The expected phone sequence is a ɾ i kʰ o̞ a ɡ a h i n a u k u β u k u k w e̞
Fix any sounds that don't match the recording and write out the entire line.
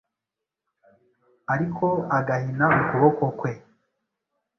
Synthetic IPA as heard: a ɾ i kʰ o̞ a ɡ a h i n a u k u β o k o k w e̞